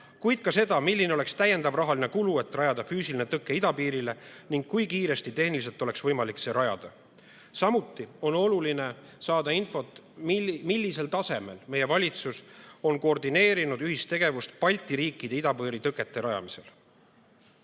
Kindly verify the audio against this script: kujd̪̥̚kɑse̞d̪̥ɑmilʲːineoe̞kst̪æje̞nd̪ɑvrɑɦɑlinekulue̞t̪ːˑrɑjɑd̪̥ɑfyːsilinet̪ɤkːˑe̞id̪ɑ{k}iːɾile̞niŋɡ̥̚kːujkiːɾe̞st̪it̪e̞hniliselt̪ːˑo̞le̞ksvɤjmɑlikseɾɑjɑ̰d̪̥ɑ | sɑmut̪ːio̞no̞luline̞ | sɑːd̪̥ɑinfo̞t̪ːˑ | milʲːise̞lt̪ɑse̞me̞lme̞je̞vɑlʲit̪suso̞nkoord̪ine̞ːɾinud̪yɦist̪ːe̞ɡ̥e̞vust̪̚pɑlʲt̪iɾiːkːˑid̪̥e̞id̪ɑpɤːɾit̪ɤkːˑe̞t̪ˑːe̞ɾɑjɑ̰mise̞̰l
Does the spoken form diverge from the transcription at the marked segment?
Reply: yes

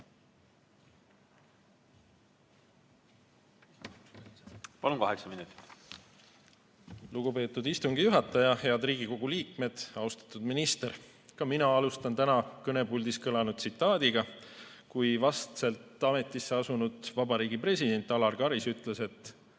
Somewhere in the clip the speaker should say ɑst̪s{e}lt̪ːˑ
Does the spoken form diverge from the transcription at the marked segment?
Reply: no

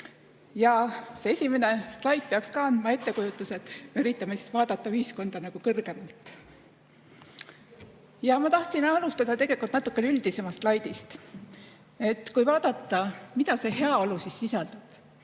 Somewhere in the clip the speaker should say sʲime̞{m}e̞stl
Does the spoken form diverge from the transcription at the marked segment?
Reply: yes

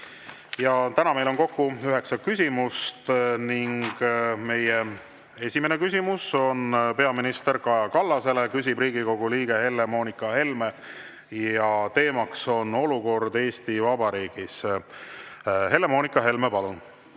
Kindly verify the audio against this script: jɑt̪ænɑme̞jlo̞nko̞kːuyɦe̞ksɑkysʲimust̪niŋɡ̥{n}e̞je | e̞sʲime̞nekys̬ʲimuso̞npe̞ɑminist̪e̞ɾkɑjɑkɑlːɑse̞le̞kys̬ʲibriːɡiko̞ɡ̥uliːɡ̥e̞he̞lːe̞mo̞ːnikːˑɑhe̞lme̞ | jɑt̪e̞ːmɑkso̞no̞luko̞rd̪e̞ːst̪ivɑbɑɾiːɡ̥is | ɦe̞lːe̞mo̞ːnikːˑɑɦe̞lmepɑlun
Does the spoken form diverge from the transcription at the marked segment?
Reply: yes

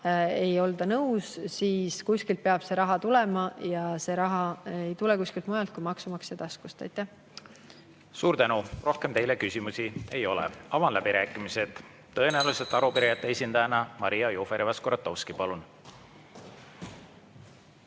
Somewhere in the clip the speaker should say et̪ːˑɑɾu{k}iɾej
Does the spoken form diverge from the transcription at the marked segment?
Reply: yes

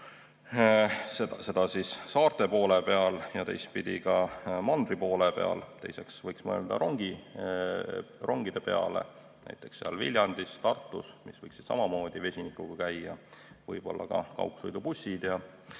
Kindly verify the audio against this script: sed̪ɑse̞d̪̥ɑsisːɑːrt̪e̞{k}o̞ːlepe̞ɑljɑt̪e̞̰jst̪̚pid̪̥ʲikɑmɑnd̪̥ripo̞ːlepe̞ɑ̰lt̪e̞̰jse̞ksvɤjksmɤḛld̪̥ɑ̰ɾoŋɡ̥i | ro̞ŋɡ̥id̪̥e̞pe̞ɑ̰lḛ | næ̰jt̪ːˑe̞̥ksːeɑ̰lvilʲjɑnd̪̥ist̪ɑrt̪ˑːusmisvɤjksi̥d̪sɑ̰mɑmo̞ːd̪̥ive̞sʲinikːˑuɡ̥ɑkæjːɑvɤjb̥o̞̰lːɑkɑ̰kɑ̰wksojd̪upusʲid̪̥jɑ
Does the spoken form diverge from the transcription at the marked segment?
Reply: yes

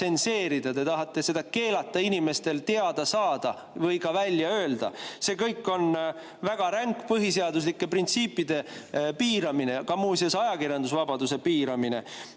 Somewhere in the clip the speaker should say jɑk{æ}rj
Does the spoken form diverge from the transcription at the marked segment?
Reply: yes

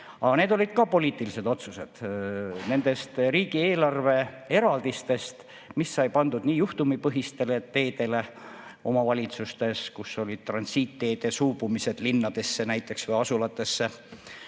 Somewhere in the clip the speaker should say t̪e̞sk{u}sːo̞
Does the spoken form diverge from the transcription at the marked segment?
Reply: no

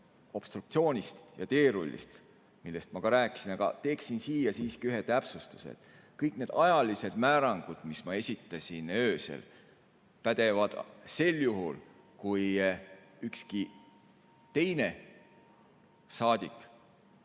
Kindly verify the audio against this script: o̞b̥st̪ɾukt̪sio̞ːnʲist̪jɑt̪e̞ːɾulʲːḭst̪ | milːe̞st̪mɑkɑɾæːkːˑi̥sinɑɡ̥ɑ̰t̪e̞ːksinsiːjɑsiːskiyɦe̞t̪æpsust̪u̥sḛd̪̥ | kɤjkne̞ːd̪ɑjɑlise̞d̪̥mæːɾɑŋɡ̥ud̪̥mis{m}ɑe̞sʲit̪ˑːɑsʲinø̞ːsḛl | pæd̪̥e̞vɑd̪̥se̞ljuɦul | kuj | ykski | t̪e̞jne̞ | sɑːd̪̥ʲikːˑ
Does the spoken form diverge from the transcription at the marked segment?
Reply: no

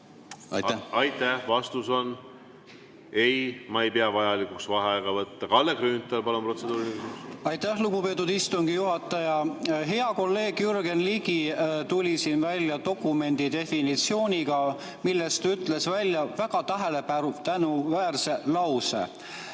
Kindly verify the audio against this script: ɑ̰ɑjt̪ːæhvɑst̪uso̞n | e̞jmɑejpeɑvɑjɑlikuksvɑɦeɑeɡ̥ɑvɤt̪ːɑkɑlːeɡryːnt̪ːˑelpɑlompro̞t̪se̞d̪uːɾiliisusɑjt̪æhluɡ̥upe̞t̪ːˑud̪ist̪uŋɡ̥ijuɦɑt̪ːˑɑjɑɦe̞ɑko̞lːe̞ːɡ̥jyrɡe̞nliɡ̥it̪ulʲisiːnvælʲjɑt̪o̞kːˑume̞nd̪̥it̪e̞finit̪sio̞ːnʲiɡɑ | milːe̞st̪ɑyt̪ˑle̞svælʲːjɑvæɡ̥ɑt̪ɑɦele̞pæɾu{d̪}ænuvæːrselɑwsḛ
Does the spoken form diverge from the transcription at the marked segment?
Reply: yes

